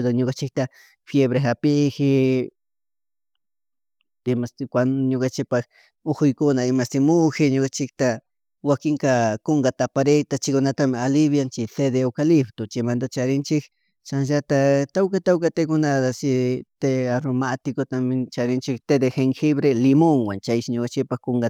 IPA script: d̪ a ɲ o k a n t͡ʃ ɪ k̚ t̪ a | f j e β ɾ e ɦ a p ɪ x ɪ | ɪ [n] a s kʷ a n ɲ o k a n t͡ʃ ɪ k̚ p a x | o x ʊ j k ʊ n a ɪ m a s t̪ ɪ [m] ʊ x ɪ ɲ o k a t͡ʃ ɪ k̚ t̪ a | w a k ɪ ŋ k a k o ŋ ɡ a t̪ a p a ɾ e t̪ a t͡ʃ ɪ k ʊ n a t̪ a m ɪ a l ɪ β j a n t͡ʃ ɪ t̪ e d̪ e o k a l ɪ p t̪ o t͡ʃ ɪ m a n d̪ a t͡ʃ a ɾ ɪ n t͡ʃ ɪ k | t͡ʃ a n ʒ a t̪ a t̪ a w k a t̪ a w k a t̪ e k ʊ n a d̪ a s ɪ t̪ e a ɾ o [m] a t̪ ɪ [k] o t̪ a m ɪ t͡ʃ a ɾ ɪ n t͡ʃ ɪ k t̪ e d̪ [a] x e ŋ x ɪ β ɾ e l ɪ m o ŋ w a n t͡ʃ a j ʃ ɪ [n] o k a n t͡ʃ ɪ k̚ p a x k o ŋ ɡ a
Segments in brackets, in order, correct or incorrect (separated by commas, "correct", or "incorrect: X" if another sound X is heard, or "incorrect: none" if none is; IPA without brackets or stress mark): incorrect: m, correct, correct, correct, incorrect: e, incorrect: ɲ